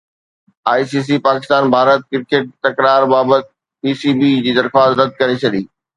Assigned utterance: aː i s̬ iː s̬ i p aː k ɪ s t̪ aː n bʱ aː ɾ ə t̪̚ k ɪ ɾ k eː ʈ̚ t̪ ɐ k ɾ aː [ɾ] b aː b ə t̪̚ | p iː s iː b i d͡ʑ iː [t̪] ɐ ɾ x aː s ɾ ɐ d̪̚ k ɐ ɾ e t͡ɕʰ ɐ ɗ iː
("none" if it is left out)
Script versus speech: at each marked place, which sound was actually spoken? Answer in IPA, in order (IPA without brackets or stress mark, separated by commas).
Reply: ɾ, d̪